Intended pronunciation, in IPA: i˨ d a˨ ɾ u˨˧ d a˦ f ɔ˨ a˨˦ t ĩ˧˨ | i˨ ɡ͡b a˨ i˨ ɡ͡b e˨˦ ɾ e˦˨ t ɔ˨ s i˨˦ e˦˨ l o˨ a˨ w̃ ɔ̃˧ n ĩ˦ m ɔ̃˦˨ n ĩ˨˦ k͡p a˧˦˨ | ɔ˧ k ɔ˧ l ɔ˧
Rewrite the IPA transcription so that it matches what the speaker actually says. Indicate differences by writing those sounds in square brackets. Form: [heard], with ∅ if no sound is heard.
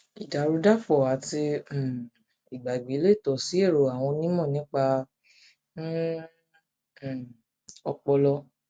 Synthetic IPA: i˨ d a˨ ɾ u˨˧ d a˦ f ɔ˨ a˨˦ t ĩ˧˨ | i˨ ɡ͡b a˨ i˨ ɡ͡b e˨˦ [l] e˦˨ t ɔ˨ s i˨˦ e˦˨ [ɾ] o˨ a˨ w̃ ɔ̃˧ n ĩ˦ m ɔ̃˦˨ n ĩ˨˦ k͡p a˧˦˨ | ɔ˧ [k͡p] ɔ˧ l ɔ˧